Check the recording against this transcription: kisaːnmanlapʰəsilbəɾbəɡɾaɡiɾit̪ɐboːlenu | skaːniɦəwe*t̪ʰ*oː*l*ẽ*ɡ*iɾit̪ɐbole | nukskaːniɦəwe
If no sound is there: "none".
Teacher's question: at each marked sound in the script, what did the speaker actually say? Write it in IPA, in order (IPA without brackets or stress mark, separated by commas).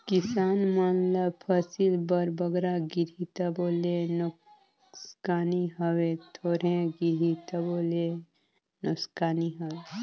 t̪ʰ, ɾ, ɡ